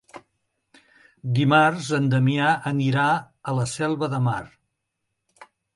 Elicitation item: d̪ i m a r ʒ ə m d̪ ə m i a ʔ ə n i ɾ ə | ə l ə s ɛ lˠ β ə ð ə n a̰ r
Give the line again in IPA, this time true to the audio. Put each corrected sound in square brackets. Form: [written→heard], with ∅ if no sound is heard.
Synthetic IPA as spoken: d̪ i m a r [ʒ→z] ə [m→n] d̪ ə m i a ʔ ə n i ɾ [ə→a] | ə l ə s ɛ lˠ β ə ð ə [n→m] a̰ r